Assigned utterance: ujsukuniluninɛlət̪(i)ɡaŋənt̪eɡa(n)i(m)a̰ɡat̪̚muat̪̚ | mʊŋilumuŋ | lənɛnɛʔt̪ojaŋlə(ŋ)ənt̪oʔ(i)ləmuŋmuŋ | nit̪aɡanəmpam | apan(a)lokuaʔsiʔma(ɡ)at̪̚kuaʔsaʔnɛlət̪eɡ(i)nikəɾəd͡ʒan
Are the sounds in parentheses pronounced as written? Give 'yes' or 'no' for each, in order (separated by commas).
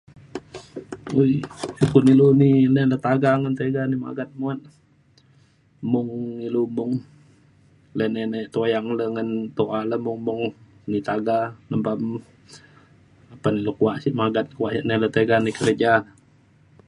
no, yes, yes, yes, no, no, yes, no